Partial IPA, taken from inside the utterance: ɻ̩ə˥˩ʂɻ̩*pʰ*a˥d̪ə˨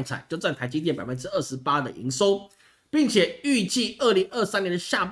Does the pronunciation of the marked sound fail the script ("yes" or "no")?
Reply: yes